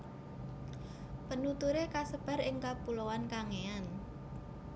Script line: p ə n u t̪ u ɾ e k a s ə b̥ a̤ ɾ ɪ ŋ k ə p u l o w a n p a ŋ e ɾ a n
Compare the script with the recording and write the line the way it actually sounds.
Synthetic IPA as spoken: p ə n u t̪ u ɾ e k a s ə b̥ a̤ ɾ ɪ ŋ k a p u l o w a n k a ŋ e a n